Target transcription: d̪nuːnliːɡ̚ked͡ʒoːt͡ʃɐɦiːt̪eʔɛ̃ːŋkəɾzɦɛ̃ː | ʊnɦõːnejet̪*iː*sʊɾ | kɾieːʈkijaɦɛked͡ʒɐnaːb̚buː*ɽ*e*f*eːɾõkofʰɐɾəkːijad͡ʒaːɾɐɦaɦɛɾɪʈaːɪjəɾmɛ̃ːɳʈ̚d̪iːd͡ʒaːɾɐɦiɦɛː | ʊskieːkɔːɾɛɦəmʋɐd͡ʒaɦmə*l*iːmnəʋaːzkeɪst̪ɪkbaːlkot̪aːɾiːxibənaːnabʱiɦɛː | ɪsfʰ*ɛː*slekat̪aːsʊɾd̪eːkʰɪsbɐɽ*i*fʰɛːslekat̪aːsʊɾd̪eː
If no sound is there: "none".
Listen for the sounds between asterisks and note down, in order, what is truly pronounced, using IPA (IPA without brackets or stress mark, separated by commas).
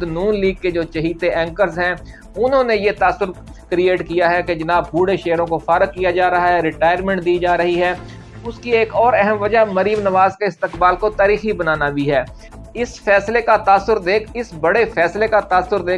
aː, ɽ, ʃ, ɾ, ɛː, e